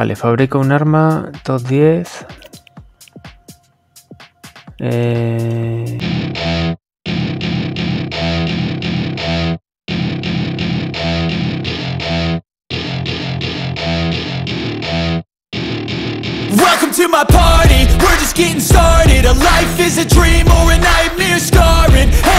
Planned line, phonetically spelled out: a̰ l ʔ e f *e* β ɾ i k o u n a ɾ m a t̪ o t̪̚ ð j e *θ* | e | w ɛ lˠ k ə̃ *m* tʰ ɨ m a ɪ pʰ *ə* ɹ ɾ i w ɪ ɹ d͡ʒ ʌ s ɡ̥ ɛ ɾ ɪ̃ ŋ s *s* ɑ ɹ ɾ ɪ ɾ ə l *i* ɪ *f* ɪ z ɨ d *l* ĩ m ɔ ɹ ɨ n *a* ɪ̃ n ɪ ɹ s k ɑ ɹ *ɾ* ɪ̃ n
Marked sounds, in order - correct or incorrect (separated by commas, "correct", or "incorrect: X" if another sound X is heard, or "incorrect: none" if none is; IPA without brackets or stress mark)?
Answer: incorrect: a, correct, correct, incorrect: ɑ, incorrect: t, incorrect: a, correct, incorrect: ɹ, correct, incorrect: ɹ